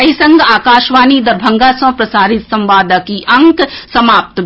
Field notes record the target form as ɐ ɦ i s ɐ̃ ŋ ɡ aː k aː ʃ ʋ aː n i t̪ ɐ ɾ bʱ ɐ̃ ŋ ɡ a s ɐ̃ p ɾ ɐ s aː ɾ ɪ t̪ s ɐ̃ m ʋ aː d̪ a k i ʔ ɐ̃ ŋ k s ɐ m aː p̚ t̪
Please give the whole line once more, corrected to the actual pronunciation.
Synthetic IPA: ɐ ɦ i s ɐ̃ ŋ ɡ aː k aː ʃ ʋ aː n i d̪ ɐ ɾ bʱ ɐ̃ ŋ ɡ a s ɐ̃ p ɾ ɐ s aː ɾ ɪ t̪ s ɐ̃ m ʋ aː d̪ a k i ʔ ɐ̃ ŋ k s ɐ m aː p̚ t̪